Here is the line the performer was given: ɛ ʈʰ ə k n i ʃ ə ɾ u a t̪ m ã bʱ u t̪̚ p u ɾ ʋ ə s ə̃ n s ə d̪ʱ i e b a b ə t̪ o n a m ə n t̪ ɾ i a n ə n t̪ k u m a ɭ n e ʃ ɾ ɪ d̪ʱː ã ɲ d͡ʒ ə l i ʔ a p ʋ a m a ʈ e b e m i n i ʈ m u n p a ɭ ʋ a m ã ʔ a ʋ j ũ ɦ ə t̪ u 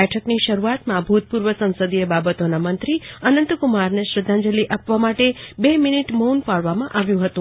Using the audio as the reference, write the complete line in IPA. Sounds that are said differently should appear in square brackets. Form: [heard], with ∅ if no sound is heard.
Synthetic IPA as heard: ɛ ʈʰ ə k n i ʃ ə ɾ u a t̪ m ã bʱ u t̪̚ p u ɾ ʋ ə s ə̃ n s ə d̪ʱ i e b a b ə t̪ o n a m ə n t̪ ɾ i [ə] n ə n t̪ k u m a [ɾ] n e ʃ ɾ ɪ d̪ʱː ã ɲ d͡ʒ ə l i ʔ a p ʋ a m a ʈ e b e m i n i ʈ m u n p a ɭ ʋ a m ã ʔ a ʋ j ũ ɦ ə t̪ [ũ]

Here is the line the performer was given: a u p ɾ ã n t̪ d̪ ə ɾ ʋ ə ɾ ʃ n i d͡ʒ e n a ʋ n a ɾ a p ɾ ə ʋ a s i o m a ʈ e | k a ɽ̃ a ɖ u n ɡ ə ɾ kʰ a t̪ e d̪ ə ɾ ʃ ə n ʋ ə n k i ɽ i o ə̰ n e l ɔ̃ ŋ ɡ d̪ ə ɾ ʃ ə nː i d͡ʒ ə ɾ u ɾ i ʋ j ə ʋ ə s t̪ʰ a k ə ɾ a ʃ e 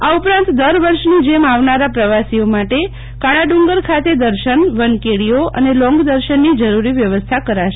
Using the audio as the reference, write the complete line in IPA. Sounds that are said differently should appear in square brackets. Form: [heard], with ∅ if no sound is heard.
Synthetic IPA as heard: a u p ɾ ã n t̪ d̪ ə ɾ ʋ ə ɾ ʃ n i d͡ʒ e [m] a ʋ n a ɾ a p ɾ ə ʋ a s i o m a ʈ e | k a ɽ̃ a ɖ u [ŋ] ɡ ə ɾ kʰ a t̪ e d̪ ə ɾ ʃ ə n ʋ ə n k [e] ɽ i o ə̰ n e l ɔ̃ ŋ ɡ d̪ ə ɾ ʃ ə nː i d͡ʒ ə ɾ u ɾ i ʋ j ə ʋ ə s t̪ʰ a k ə ɾ a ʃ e

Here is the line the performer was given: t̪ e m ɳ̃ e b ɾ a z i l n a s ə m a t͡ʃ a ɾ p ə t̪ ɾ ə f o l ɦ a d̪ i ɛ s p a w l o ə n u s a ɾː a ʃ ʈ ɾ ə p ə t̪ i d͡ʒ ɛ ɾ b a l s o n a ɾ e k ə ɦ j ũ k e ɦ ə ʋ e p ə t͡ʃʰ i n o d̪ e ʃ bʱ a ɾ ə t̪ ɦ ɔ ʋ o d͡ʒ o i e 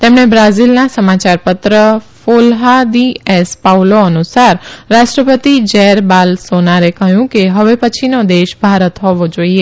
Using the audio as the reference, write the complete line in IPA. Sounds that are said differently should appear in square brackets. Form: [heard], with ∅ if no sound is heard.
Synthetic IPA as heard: t̪ e m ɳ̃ e b ɾ a z i l n a s ə m a t͡ʃ a ɾ p ə t̪ ɾ ə f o l ɦ a d̪ i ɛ s p a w l o ə n u s a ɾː a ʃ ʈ ɾ ə p ə t̪ i d͡ʒ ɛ ɾ b a l s o n a ɾ e k ə ɦ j ũ k e ɦ ə ʋ e p ə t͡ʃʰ i n o d̪ e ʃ bʱ a ɾ ə t̪ ɦ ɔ ʋ o d͡ʒ o i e

